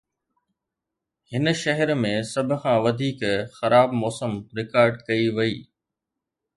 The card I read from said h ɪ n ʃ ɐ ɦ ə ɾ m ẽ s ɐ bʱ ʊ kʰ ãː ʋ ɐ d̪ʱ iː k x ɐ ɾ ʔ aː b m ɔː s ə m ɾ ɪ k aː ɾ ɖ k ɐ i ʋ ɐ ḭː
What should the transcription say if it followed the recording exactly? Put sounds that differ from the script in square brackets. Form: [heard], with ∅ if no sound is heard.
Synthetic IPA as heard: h ɪ n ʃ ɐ ɦ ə ɾ m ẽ s ɐ bʱ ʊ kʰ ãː ʋ ɐ d̪ʱ iː k x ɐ ɾ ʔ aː b m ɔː s ə m ɾ ɪ k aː ɾ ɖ k ɐ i ʋ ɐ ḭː